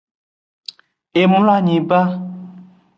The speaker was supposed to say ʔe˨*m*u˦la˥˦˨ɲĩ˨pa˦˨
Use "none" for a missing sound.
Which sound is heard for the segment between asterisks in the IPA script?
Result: m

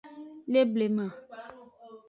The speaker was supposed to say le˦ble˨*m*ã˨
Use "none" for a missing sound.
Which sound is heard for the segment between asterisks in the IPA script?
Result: m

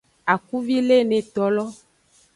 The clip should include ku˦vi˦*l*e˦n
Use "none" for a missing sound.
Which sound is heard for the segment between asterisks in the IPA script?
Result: l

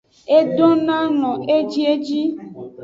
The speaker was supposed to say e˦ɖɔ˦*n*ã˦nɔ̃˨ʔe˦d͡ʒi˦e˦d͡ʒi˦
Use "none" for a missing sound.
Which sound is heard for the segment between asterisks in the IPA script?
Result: n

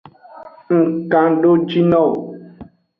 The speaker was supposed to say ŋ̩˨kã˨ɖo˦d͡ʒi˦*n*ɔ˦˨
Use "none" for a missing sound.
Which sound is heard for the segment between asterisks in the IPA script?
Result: n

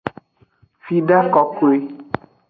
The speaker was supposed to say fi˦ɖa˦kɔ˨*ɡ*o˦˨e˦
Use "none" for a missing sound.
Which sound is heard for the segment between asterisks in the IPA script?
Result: k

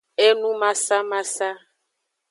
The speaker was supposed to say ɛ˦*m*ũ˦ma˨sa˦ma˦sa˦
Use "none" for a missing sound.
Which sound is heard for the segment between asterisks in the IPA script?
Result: n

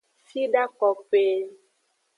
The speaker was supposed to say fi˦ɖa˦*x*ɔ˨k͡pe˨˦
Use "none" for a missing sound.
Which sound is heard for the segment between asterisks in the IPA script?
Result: k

